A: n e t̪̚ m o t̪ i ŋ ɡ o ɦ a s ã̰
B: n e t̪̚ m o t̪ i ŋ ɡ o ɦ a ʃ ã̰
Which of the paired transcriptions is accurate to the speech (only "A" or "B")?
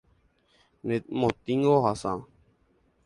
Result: A